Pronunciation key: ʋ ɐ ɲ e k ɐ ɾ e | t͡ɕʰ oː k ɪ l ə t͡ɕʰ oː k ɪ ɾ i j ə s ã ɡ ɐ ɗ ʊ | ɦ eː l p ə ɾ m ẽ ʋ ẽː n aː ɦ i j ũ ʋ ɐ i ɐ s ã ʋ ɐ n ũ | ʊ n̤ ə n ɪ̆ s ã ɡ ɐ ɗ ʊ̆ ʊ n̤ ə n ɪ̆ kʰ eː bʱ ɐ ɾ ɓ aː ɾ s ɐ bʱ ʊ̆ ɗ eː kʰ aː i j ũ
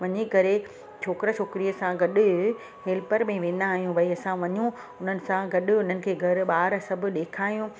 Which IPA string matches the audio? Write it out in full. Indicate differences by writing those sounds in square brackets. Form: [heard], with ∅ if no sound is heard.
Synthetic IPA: ʋ ɐ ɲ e k ɐ ɾ e | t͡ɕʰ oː k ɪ [ɾ] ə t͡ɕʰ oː k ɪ ɾ i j ə s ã ɡ ɐ ɗ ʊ | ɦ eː l p ə ɾ m ẽ ʋ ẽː n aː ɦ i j ũ ʋ ɐ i ɐ s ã ʋ ɐ [ɲ] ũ | ʊ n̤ ə n ɪ̆ s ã ɡ ɐ ɗ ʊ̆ ʊ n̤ ə n ɪ̆ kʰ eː [ɡʱ] ɐ ɾ ɓ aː ɾ s ɐ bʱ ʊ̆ ɗ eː kʰ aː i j ũ